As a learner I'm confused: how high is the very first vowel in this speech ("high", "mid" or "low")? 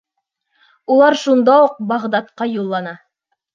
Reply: high